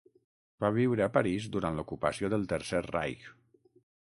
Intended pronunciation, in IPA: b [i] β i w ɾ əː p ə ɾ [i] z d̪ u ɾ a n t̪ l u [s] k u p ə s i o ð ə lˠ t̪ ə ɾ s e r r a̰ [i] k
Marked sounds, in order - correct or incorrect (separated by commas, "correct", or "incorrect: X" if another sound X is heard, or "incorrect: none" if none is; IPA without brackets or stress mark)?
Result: incorrect: a, correct, incorrect: none, incorrect: j